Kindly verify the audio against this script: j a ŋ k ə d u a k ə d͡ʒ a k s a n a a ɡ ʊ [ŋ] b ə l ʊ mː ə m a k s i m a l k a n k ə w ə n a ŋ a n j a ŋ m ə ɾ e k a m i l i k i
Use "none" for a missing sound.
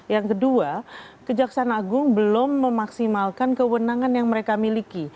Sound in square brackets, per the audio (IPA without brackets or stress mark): ŋ